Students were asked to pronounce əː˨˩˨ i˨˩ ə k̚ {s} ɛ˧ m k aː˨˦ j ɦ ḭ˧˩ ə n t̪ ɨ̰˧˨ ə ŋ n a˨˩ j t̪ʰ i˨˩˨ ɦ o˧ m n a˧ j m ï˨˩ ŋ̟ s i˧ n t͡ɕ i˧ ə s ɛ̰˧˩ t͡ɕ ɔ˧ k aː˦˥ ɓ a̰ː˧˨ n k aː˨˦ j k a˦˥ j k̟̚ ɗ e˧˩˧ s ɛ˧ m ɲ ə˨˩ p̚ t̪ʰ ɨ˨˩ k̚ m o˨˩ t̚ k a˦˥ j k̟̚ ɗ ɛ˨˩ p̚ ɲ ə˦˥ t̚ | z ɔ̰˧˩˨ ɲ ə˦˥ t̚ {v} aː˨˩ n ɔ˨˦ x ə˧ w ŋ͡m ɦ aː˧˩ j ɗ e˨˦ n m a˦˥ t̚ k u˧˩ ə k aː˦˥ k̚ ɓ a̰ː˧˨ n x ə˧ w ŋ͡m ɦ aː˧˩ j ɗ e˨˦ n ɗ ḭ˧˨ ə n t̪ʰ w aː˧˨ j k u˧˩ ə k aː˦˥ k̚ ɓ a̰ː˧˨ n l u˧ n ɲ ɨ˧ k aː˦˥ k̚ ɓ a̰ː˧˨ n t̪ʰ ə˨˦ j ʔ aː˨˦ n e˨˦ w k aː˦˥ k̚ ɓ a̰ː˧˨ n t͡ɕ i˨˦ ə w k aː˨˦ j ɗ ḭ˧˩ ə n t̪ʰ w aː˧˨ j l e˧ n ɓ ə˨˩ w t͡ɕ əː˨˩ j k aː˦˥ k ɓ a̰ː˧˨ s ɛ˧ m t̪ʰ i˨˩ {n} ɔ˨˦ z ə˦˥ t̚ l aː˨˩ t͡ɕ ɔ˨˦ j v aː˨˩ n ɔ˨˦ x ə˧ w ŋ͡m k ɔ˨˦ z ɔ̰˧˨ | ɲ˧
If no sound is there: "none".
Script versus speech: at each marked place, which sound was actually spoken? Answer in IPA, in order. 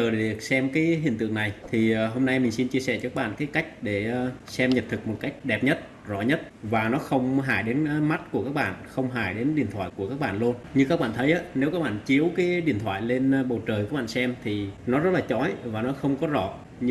s, v, n

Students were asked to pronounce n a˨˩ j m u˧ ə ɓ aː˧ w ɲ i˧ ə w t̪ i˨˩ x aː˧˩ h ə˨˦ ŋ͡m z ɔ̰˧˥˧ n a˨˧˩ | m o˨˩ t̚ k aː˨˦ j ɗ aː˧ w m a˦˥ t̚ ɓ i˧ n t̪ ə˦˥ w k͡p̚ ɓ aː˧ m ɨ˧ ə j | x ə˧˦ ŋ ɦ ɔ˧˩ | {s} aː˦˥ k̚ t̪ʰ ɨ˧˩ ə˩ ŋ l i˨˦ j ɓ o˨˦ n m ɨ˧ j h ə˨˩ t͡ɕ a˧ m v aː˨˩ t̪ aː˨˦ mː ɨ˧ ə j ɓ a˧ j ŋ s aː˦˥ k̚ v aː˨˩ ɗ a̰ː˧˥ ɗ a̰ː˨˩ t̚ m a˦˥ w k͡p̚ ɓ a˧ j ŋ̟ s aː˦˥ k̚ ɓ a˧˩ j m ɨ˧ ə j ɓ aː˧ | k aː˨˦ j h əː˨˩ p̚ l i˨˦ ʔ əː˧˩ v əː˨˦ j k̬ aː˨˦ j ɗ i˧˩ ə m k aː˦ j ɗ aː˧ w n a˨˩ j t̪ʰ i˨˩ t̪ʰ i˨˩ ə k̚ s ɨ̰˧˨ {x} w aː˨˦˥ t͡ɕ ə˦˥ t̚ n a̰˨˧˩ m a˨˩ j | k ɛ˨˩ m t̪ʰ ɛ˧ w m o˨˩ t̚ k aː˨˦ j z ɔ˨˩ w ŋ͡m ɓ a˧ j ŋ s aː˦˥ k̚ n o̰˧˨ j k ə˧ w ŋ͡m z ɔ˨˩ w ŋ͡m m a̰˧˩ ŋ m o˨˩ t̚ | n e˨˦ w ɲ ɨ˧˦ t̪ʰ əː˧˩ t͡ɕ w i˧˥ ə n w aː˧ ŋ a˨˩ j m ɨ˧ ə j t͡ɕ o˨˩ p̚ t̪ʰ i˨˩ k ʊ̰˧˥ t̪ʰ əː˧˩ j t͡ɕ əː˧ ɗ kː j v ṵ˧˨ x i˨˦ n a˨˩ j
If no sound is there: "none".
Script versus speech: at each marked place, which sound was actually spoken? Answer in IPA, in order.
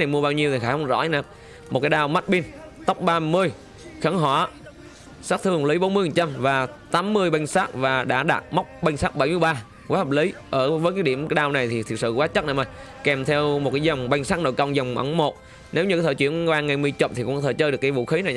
s, k

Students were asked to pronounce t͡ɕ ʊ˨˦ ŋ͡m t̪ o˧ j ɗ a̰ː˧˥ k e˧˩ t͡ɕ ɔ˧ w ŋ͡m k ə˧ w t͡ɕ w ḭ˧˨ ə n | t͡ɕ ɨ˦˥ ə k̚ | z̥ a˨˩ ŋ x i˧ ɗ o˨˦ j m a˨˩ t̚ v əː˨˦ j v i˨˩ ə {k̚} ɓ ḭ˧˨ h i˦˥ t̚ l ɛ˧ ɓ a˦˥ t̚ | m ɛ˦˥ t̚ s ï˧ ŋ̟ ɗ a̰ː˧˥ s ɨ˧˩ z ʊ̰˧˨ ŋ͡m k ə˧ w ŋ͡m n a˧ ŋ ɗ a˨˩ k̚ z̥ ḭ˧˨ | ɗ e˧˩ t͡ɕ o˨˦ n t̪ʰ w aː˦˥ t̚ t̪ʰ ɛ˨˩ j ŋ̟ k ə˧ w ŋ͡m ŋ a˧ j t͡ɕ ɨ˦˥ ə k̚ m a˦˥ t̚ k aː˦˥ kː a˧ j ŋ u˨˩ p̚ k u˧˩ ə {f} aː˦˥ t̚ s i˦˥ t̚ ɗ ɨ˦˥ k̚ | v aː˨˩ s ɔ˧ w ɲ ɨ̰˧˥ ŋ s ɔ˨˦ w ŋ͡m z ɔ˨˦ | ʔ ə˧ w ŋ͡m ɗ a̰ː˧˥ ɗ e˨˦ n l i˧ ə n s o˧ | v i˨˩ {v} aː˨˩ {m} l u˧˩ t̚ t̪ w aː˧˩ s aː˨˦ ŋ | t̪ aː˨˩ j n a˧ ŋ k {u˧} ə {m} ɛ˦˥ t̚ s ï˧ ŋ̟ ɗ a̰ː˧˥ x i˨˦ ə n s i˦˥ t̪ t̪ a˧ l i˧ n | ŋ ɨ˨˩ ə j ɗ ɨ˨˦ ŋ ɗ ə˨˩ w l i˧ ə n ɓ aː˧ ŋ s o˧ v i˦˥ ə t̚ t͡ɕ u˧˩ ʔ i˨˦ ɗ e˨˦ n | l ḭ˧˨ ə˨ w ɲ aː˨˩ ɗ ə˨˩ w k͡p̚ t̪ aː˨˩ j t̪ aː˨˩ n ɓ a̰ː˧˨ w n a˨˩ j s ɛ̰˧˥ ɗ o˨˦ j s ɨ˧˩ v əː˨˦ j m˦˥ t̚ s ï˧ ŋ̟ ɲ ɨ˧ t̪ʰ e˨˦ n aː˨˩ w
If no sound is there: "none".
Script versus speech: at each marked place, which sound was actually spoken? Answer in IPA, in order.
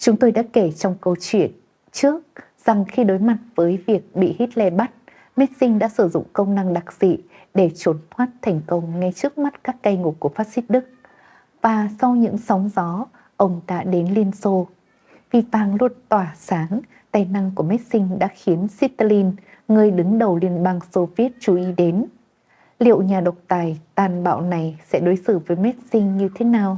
k̚, f, v, ŋ, u˧˩, m

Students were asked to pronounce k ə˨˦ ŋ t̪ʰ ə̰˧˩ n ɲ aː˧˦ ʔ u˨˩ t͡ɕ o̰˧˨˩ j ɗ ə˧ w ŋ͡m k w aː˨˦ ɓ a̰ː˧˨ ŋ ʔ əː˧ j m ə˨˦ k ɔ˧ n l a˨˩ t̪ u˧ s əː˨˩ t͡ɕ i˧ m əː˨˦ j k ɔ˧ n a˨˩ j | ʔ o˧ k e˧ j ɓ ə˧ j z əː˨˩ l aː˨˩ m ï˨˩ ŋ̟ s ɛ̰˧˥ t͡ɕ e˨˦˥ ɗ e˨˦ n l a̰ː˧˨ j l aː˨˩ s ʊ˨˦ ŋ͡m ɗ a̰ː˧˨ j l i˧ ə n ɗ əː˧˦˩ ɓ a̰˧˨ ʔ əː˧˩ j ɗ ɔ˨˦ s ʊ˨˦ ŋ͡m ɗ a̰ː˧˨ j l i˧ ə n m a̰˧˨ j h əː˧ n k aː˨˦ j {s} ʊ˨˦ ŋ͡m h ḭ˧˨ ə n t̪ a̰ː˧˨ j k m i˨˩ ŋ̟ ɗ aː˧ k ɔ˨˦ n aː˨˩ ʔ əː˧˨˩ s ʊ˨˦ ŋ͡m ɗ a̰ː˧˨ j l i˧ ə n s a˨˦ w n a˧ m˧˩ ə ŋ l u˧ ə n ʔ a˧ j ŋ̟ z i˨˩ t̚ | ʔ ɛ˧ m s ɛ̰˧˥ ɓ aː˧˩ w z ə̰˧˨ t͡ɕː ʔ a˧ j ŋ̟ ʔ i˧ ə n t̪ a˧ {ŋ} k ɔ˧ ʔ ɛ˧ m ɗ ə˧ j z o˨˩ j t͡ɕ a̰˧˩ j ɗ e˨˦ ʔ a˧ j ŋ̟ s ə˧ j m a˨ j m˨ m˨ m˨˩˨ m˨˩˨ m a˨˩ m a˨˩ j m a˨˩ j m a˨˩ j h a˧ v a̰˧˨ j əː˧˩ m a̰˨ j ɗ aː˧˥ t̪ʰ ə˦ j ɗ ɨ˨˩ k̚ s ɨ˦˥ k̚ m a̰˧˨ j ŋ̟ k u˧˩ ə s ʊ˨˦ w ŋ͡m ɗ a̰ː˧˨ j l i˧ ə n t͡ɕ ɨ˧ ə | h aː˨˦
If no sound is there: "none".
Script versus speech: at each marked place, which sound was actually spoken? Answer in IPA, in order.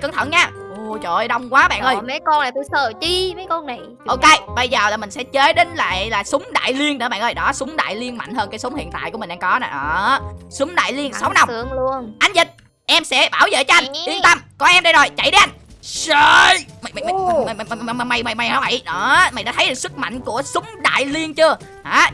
s, m

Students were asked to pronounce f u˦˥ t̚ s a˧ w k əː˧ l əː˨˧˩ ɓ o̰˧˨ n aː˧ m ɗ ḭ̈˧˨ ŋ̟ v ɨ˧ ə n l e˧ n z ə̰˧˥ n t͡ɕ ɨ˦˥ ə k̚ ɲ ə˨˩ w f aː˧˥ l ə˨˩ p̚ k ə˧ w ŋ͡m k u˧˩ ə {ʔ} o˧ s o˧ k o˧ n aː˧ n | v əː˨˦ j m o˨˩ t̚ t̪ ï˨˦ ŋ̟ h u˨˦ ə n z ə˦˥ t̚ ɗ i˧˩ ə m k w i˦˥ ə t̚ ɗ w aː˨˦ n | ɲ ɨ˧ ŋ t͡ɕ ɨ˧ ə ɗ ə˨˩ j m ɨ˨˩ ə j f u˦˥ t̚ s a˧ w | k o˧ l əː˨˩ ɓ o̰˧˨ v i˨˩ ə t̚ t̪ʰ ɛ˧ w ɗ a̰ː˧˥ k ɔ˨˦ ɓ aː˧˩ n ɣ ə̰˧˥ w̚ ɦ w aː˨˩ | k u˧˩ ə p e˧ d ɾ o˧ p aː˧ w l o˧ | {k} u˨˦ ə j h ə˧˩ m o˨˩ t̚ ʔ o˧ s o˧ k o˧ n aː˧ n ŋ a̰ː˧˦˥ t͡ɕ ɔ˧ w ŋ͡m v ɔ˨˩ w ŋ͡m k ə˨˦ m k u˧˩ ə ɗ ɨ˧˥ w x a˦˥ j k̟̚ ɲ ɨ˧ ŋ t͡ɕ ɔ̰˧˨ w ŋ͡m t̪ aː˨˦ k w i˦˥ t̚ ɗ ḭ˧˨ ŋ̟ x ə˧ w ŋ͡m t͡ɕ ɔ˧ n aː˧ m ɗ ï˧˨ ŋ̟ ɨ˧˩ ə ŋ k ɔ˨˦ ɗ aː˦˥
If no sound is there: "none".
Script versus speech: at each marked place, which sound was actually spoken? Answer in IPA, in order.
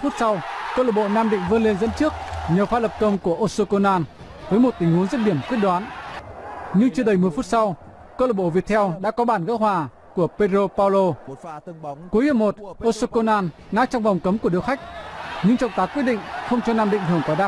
ʔ, k

